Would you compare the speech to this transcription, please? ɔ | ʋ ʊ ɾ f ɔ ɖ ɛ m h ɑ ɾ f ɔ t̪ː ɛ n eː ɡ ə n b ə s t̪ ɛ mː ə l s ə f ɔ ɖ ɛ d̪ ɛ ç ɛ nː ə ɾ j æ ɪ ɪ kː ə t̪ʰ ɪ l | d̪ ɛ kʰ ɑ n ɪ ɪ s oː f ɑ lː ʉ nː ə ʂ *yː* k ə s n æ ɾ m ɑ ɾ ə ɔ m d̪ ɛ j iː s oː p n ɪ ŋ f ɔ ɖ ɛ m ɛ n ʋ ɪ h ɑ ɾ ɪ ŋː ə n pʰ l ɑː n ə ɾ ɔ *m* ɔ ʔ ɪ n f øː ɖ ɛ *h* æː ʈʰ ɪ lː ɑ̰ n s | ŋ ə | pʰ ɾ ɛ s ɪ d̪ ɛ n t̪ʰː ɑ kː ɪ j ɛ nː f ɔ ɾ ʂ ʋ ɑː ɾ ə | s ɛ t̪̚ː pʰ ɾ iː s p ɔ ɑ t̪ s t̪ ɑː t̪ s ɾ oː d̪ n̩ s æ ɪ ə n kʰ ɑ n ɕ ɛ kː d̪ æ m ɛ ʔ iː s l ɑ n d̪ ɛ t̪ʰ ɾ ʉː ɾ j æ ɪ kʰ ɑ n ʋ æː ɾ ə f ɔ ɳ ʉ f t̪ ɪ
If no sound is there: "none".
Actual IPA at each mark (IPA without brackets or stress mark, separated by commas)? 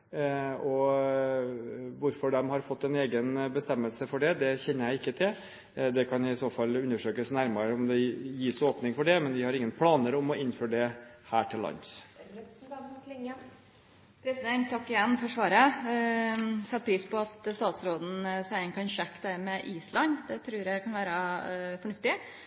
øː, m, h